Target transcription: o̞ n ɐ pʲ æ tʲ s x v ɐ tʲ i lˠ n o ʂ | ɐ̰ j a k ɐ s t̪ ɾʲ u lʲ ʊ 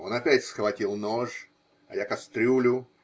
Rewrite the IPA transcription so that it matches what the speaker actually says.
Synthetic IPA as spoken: o̞ n ɐ pʲ æ tʲ s x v ɐ tʲ i lˠ n o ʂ | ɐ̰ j a k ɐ s t̪ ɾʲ u lʲ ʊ